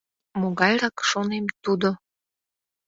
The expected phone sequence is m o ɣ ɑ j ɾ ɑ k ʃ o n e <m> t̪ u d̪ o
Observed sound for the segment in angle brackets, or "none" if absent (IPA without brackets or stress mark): m